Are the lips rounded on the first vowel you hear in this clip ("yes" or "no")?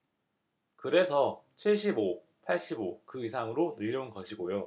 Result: no